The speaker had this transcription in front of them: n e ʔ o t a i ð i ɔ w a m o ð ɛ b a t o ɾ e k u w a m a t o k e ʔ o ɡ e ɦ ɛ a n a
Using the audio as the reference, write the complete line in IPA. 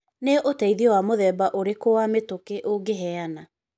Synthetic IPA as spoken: n e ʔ o t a i ð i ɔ w a m o ð ɛ b a ʔ o ɾ e k o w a m e t o k e ʔ o ɡ e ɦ ɛ a n a